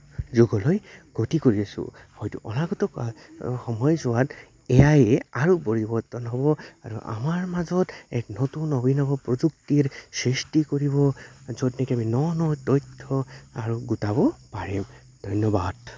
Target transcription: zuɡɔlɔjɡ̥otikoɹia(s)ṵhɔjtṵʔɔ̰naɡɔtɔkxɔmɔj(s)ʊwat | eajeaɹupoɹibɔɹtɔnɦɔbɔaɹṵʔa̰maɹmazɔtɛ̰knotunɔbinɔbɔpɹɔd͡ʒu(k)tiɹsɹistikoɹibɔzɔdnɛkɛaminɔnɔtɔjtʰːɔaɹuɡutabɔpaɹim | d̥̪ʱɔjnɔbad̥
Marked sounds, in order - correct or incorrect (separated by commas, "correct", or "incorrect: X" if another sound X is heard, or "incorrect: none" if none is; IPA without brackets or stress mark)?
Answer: correct, incorrect: z, correct